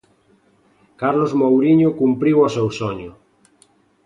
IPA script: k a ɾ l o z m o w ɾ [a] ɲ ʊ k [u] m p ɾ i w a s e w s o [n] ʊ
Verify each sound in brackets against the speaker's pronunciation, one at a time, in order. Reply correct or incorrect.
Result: incorrect: i, correct, incorrect: ɲ

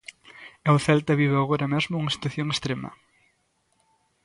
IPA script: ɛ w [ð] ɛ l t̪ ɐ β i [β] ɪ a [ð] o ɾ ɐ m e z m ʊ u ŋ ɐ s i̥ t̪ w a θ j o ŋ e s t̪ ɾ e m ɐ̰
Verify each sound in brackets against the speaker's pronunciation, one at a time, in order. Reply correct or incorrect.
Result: incorrect: θ, correct, incorrect: ɣ

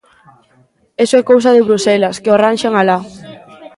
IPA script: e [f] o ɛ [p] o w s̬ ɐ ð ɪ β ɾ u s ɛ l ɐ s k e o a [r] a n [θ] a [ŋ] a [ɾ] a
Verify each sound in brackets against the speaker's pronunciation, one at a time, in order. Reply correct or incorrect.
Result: incorrect: s, incorrect: k, correct, incorrect: ʃ, correct, incorrect: l

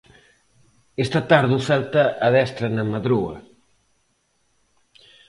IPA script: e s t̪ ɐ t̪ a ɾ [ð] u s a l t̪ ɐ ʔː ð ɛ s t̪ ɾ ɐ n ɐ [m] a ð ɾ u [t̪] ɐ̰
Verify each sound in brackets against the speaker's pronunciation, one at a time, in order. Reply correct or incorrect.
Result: correct, correct, incorrect: none

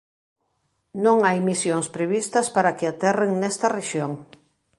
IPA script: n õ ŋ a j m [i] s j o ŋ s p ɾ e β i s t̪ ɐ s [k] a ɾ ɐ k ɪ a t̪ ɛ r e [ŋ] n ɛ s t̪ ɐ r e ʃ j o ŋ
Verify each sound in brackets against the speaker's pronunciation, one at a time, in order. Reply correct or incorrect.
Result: correct, incorrect: p, correct

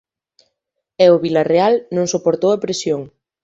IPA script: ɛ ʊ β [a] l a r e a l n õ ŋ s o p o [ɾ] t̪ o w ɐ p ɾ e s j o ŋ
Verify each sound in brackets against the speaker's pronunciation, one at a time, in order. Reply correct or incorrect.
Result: incorrect: i, correct

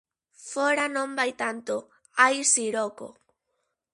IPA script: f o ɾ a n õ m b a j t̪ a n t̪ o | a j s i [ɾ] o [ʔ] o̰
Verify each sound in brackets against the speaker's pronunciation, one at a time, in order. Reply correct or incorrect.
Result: correct, incorrect: k

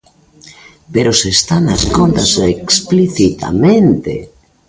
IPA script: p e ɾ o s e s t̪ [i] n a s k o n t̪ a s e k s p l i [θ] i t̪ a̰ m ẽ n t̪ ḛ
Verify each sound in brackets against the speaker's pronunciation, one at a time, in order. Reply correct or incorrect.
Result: incorrect: a, correct

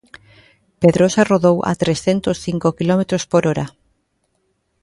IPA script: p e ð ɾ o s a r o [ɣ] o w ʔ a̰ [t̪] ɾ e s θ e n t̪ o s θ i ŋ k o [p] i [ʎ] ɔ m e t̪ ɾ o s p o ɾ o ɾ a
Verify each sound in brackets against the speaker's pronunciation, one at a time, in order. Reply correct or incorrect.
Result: incorrect: ð, correct, incorrect: k, incorrect: l

